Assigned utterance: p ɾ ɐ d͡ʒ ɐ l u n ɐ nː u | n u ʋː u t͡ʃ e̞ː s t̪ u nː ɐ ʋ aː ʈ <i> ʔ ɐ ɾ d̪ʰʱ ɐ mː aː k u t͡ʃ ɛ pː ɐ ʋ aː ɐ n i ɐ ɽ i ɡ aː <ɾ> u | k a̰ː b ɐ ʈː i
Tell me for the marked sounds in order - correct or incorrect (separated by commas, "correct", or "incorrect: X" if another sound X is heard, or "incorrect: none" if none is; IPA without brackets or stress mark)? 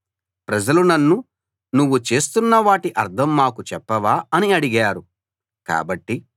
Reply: correct, correct